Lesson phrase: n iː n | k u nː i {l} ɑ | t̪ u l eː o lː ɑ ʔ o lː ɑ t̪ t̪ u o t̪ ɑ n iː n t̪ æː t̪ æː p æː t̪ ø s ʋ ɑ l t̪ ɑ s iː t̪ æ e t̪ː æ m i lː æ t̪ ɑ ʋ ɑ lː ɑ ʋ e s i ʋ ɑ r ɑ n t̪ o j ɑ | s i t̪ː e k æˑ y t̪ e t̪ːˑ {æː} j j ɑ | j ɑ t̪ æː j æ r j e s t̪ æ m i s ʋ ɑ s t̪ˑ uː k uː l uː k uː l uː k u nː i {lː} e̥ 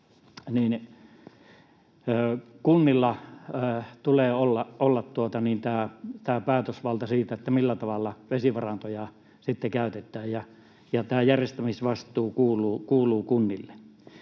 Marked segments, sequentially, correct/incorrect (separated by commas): incorrect, correct, correct